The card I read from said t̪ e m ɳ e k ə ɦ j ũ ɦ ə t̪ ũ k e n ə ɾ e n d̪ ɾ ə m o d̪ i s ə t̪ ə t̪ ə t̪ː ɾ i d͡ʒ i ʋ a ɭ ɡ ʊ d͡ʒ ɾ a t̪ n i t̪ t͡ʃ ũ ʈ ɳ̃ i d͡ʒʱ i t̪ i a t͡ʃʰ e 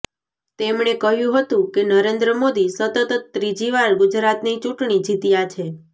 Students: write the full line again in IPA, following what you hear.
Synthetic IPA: t̪ e m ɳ e k ə ɦ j ũ ɦ ə t̪ ũ k e n ə ɾ e n d̪ ɾ ə m o d̪ i s ə t̪ ə t̪ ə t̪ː ɾ i d͡ʒ i ʋ a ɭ ɡ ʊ d͡ʒ ɾ a t̪ n i t͡ʃ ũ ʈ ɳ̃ i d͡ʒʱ i t̪ j a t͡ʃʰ e

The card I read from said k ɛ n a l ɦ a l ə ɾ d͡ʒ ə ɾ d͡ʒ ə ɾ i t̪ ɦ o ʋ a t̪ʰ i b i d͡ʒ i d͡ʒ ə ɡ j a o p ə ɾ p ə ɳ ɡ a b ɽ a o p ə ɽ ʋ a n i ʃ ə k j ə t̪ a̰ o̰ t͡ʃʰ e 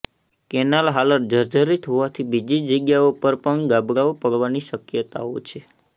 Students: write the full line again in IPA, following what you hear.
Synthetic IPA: k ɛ n a l ɦ a l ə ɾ d͡ʒ ə ɾ d͡ʒ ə ɾ i t̪ ɦ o ʋ a t̪ʰ i b i d͡ʒ i d͡ʒ ə ɡ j a o p ə ɾ p ə ɳ ɡ a b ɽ a o p ə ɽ ʋ a n i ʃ ə k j ə t̪ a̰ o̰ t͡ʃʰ e

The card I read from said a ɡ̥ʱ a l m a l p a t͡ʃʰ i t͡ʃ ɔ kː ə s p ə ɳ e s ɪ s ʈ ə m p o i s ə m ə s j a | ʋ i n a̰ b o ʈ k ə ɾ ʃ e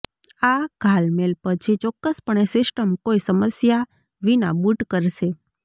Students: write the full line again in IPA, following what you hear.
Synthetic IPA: a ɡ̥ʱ a l m e l p ə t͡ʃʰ i t͡ʃ ɔ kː ə s p ə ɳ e s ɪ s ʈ ə m k o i s ə m ə s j a | ʋ i n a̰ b u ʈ k ə ɾ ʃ e

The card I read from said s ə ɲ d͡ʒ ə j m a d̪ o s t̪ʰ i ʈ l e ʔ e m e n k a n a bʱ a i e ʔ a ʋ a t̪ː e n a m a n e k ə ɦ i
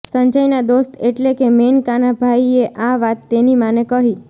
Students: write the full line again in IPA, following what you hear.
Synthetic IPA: s ə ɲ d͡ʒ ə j n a d̪ o s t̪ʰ e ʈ l e k e m e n k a n a bʱ a i e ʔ a ʋ a t̪ː e n i m a n e k ə ɦ i

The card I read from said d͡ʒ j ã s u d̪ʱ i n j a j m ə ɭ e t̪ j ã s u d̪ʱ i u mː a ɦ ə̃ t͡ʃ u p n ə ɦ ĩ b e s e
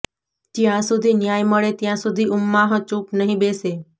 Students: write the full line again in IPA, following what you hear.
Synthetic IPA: d͡ʒ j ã s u d̪ʱ i n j a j m ə ɭ e t̪ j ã s u d̪ʱ i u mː a ɦ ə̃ t͡ʃ u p n ə ɦ ĩ b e s e

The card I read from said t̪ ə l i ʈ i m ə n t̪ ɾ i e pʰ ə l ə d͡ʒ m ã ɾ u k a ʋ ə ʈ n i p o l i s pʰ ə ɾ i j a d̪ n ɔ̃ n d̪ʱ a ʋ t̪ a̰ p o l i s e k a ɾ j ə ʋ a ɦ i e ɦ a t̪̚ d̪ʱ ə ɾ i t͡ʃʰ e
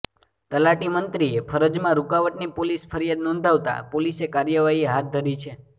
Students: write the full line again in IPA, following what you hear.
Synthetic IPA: t̪ ə l a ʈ i m ə n t̪ ɾ i e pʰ ə ɾ ə d͡ʒ m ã ɾ u k a ʋ ə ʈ n i p o l i s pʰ ə ɾ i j a d̪ n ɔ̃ n d̪ʱ a ʋ t̪ a̰ p o l i s e k a ɾ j ə ʋ a ɦ i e ɦ a t̪̚ d̪ʱ ə ɾ i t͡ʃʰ e

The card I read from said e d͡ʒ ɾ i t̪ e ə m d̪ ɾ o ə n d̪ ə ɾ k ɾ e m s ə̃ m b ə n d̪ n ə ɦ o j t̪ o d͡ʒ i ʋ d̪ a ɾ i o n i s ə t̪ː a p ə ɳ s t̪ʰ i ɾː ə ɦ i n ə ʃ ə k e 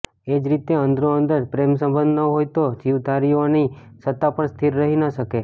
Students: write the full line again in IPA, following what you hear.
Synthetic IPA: e d͡ʒ ɾ i t̪ e ə n d̪ ɾ o ə n d̪ ə ɾ p ɾ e m s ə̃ m b ə n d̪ n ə ɦ o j t̪ o d͡ʒ i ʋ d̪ a ɾ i o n i s ə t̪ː a p ə ɳ s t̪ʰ i ɾː ə ɦ i n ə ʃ ə k e

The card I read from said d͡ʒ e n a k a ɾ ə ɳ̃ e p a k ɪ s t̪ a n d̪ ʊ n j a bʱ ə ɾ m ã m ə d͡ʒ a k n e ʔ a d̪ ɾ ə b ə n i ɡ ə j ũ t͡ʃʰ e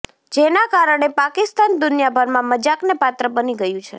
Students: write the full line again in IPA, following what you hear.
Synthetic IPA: d͡ʒ e n a k a ɾ ə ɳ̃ e p a k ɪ s t̪ a n d̪ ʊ n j a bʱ ə ɾ m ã m ə d͡ʒ a k n e p a t̪ ɾ ə b ə n i ɡ ə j ũ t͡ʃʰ e

